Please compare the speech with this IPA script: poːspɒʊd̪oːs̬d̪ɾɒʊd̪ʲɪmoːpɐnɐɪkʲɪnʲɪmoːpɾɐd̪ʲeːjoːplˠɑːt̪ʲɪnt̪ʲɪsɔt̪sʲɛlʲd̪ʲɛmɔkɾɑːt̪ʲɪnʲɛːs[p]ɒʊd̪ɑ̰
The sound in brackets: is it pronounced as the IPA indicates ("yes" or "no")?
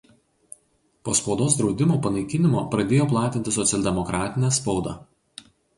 yes